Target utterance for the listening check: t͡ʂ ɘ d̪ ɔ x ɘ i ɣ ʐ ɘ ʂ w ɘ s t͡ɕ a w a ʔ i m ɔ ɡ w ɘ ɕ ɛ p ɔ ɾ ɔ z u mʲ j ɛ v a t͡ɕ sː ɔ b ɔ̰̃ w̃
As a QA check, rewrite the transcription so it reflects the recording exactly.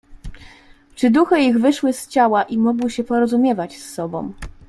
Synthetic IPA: t͡ʂ ɘ d̪ u x ɘ i ɣ v ɘ ʂ w ɘ s t͡ɕ a w a ʔ i m ɔ ɡ w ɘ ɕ ɛ p ɔ ɾ ɔ z u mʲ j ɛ v a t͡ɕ sː ɔ b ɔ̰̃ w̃